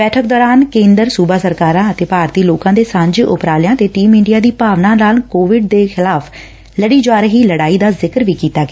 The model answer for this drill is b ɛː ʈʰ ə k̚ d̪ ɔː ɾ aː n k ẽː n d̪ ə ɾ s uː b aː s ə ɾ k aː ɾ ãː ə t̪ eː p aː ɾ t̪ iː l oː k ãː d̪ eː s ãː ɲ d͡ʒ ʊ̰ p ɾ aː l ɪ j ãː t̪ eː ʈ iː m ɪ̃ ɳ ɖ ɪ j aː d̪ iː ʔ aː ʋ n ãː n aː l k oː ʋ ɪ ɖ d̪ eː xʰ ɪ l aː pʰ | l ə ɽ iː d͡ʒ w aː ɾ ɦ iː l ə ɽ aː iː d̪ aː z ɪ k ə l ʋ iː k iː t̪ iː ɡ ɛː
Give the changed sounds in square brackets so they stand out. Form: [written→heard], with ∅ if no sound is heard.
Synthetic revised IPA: b ɛː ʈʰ ə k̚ d̪ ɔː ɾ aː n k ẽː n d̪ ə ɾ s uː b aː s ə ɾ k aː ɾ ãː ə t̪ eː p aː ɾ t̪ iː l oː k ãː d̪ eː s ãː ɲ d͡ʒ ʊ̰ p ɾ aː l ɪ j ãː t̪ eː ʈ iː m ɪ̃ ɳ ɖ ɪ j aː d̪ iː [ʔ→p] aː ʋ n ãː n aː l k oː ʋ ɪ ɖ d̪ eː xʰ ɪ l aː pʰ | l ə ɽ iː d͡ʒ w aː ɾ ɦ iː l ə ɽ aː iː d̪ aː z ɪ k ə [l→ɾ] ʋ iː k iː t̪ [iː→aː] ɡ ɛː